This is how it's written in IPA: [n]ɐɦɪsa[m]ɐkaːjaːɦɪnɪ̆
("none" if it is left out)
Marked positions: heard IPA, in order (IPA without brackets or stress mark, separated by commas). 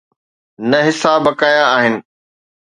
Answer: n, b